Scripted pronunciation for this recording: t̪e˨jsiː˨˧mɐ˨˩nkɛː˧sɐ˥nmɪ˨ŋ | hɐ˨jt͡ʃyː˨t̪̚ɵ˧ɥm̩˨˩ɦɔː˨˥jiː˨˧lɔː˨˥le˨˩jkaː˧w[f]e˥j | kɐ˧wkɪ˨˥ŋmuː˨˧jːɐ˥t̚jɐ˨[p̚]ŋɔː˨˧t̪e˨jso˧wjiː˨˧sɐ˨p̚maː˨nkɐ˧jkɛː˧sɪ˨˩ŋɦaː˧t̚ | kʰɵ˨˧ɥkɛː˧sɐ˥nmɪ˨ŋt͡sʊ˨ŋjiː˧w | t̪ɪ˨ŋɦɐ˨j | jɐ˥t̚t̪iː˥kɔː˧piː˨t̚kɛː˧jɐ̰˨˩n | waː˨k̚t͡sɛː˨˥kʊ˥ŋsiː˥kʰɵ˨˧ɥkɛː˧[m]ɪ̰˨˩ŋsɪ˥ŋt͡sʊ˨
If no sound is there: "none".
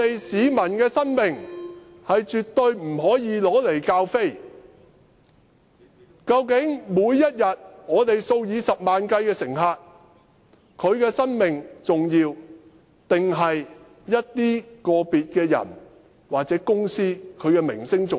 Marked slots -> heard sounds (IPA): f, t̚, m

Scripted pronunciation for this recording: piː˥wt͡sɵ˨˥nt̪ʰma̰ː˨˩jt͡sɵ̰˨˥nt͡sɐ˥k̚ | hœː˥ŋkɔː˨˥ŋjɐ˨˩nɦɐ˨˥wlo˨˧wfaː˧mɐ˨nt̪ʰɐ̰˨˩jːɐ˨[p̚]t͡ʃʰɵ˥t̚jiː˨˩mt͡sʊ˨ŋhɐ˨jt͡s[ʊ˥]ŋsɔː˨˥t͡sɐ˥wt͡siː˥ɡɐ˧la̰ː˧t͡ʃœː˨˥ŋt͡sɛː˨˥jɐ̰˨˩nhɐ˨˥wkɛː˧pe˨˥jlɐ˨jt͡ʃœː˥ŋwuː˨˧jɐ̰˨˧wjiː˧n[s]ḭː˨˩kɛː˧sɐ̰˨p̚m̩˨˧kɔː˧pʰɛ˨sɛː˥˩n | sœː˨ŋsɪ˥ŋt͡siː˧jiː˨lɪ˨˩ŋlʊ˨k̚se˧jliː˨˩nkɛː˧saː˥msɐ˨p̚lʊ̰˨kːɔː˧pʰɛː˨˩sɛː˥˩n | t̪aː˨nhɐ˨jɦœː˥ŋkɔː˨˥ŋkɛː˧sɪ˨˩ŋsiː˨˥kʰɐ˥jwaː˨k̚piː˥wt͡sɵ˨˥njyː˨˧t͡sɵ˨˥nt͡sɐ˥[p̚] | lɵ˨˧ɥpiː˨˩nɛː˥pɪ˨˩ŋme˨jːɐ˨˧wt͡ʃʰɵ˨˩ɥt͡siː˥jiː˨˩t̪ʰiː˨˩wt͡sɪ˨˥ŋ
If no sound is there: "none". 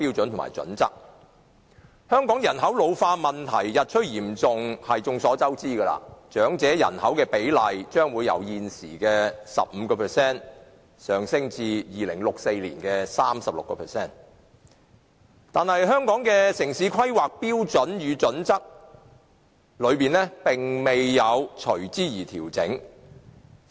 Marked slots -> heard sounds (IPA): t̚, ʊ˧, s, k̚

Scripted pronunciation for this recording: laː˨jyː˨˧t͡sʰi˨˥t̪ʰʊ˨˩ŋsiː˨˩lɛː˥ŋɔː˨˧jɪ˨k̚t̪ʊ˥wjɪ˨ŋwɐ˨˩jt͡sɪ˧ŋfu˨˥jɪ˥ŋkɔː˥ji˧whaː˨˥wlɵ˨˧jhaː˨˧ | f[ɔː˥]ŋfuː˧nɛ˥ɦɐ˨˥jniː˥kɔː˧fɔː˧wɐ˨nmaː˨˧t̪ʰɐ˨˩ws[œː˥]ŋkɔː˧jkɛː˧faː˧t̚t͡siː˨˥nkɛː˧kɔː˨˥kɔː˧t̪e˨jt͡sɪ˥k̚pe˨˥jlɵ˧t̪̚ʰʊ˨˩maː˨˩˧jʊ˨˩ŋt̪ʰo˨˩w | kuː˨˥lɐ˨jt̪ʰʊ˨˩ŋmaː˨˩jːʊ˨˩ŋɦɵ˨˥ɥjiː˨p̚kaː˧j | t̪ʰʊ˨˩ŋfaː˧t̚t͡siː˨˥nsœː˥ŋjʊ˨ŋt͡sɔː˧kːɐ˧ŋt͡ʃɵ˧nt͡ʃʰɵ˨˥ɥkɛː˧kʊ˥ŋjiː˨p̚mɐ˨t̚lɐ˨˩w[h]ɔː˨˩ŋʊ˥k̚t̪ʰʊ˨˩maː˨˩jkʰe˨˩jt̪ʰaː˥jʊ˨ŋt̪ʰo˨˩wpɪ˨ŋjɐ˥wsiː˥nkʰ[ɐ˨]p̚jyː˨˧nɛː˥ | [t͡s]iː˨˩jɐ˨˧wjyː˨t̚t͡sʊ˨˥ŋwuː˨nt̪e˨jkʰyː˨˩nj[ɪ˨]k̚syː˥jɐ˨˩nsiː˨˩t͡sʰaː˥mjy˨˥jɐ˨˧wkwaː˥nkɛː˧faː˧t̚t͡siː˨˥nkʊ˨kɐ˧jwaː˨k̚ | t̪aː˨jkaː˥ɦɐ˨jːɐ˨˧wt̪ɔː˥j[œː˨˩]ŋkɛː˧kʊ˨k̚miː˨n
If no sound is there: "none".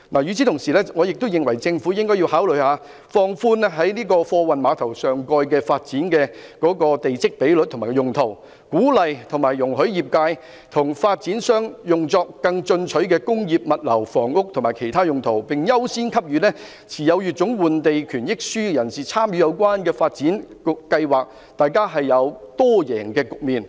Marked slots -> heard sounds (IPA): ɔː˧, œː˨, f, ɐ˥, t͡sʰ, ɪ˥, ɛː˨˩

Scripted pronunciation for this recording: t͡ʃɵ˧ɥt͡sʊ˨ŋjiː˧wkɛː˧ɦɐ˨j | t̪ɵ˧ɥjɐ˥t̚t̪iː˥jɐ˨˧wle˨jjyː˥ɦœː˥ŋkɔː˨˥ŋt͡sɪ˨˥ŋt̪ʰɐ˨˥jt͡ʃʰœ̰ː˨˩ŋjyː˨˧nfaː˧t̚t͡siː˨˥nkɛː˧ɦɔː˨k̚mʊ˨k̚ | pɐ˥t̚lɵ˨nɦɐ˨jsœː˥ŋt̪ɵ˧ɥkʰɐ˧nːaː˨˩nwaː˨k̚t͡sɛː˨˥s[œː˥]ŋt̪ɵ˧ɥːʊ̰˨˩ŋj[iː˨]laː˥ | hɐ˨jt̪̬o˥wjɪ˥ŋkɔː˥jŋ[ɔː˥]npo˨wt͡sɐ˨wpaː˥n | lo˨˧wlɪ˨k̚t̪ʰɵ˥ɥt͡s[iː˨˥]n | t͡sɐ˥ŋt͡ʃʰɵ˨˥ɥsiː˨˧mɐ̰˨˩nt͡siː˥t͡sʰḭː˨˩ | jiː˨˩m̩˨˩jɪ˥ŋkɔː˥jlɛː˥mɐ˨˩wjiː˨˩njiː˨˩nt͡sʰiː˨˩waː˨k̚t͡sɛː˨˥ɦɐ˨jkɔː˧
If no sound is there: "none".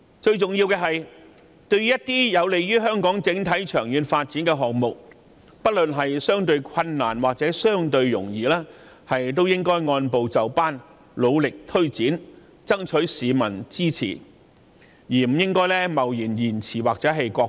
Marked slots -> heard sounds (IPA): œː˥, iː˨, ɔː˧, iː˨˥

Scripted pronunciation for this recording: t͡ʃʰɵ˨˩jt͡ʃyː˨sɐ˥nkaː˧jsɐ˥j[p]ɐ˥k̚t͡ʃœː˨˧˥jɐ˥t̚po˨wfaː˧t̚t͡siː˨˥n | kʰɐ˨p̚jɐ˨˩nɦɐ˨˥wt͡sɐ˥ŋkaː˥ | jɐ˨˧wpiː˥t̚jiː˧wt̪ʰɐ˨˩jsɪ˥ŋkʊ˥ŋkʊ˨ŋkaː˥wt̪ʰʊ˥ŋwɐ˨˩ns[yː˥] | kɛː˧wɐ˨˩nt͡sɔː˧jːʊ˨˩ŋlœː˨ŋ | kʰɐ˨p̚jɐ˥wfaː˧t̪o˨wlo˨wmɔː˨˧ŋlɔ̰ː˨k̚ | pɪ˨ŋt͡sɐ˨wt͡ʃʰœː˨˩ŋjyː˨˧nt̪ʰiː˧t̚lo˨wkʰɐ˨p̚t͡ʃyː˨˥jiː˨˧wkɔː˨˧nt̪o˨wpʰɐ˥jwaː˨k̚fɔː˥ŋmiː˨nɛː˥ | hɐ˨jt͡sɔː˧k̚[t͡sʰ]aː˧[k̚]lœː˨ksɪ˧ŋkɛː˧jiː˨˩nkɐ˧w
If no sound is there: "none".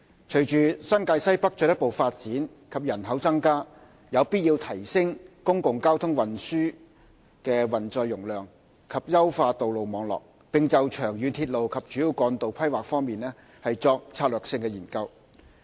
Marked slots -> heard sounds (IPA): p, yː˥, t͡sʰ, t̚

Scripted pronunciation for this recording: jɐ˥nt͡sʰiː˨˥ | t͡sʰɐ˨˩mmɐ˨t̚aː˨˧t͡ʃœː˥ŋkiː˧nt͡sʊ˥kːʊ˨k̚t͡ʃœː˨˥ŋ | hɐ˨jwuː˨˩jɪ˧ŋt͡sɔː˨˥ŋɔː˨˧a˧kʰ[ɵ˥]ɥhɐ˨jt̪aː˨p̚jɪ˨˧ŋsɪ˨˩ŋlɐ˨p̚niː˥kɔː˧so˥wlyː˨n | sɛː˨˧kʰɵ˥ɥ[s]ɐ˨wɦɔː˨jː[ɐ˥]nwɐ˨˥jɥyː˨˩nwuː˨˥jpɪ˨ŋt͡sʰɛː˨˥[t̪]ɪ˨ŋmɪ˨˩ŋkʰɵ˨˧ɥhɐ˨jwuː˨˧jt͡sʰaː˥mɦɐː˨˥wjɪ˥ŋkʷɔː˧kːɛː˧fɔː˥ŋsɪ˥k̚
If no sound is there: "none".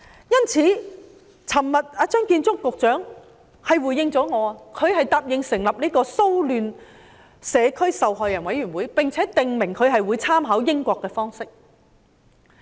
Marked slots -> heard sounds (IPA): ɵ˨˧, s, ɐ˨˩, t̪

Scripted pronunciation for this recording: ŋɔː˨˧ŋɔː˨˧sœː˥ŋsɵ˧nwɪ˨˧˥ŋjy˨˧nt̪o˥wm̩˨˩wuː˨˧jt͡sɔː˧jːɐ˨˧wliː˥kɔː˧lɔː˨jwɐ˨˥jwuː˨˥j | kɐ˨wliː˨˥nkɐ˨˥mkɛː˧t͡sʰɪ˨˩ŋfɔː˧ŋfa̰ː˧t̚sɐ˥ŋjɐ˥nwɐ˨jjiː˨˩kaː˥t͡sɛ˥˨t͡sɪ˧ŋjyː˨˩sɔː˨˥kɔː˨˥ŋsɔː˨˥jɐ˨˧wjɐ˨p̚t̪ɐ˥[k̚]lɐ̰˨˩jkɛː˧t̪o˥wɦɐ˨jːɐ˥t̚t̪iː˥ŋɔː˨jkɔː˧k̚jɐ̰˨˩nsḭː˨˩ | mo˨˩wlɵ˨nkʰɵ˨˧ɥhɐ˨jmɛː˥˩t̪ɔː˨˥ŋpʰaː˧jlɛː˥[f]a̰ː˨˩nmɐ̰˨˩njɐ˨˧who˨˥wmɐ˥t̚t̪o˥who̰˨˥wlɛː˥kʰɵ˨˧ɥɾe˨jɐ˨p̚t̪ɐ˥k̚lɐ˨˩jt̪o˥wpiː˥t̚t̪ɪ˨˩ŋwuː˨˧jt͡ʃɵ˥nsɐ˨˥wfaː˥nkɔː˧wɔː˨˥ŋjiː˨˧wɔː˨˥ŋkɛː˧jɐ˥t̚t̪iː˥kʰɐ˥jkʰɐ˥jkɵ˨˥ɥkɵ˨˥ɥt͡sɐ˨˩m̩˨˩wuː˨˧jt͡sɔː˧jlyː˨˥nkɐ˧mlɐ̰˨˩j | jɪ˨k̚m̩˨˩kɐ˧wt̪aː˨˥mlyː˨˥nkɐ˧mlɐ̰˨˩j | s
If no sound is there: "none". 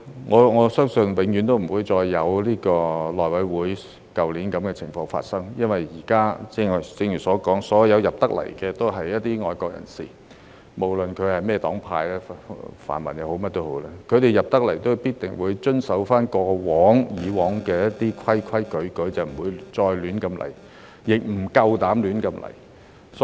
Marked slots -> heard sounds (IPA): k̚, f

